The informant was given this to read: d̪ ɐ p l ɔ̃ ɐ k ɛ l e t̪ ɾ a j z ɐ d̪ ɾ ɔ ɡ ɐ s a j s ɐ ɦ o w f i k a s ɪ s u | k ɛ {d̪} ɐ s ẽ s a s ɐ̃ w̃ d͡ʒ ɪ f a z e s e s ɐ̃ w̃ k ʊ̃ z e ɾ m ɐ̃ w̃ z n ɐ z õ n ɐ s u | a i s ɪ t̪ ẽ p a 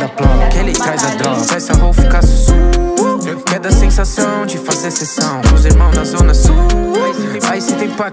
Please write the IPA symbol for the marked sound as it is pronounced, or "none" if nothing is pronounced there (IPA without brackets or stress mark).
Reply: d̪